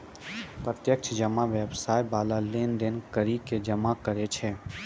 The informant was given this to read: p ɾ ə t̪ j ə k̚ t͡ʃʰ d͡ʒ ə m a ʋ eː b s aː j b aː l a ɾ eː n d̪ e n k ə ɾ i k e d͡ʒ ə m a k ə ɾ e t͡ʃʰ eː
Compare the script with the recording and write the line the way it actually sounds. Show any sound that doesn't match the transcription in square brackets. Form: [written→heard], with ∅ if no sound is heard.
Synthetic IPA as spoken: p ɾ ə t̪ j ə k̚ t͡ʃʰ d͡ʒ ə m a ʋ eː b s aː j b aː l a [ɾ→l] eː n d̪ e n k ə ɾ i k e d͡ʒ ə m a k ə ɾ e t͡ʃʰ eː